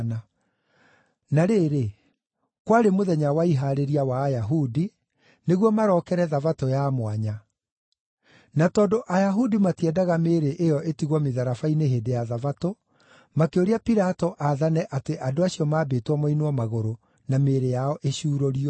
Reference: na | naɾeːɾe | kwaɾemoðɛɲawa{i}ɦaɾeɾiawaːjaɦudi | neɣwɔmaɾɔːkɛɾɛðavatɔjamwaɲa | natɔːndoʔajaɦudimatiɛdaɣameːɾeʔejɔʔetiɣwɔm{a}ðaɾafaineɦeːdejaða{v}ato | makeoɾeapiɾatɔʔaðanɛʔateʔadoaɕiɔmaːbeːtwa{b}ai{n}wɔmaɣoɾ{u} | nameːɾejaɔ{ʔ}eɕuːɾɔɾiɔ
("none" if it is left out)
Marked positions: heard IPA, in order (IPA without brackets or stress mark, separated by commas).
i, e, v, m, n, o, ʔ